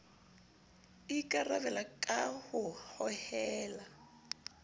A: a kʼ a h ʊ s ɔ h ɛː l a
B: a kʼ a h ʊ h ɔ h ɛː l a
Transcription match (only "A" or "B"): B